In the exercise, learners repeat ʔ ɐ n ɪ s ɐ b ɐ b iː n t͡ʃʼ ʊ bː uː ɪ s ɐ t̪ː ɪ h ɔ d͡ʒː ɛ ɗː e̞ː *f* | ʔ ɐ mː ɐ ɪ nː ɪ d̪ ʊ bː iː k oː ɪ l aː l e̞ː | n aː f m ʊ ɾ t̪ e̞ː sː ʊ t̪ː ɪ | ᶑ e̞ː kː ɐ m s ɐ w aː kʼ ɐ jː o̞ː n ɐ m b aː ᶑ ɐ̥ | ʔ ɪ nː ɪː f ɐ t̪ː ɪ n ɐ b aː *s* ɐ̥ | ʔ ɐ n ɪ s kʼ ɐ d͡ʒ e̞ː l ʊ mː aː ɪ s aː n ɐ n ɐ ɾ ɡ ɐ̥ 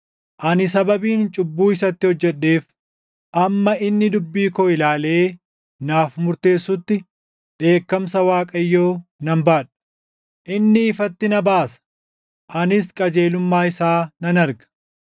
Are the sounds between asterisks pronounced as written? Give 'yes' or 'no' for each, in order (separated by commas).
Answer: yes, yes